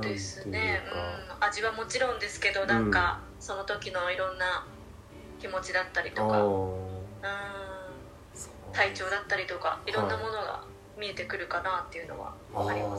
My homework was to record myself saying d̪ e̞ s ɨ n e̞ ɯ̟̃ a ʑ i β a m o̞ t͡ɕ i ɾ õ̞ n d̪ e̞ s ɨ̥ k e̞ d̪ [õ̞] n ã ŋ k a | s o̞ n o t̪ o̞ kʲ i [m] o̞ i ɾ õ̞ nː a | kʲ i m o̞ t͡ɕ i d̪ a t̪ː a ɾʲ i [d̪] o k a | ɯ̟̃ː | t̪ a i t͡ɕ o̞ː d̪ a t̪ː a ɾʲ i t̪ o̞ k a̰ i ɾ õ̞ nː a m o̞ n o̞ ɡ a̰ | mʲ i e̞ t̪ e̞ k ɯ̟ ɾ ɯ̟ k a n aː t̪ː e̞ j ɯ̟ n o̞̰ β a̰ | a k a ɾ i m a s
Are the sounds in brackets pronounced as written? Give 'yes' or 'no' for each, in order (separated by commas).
no, no, no